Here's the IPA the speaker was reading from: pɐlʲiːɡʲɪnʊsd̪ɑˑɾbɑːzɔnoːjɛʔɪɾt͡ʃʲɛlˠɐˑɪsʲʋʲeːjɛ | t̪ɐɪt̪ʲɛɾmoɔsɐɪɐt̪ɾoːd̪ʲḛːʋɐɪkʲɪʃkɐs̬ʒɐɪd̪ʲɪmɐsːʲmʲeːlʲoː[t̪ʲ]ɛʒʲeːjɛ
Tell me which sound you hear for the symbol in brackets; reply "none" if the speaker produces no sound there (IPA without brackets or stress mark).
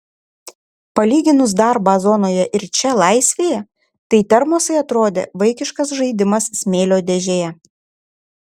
d̪ʲ